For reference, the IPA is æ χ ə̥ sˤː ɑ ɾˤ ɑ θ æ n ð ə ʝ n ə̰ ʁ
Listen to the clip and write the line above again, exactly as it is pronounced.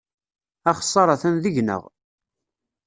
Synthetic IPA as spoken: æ χ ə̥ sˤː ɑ ɾˤ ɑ θ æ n ð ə ʝ n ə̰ ʁ